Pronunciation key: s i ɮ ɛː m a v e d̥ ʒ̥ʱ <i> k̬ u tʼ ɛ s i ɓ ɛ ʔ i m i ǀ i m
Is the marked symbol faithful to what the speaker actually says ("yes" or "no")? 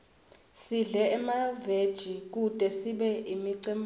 yes